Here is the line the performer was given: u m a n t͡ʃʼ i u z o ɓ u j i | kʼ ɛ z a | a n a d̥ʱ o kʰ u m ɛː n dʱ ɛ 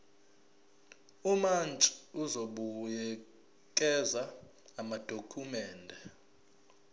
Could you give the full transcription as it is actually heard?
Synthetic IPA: u m a n t͡ʃʼ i u z o ɓ u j ɛ | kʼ ɛ z a | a m a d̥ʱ o kʰ u m ɛː n dʱ ɛ